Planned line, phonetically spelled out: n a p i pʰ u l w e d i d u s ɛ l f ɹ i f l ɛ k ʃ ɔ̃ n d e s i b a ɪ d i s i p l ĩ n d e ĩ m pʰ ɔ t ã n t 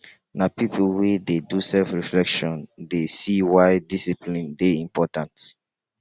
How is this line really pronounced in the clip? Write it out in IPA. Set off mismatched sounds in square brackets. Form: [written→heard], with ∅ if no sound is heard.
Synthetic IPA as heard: n a p i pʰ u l w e d [i→e] d u s ɛ l f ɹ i f l ɛ k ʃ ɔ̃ n d e s i [b→w] a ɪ d i s i p l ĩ n d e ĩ m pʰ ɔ t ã n t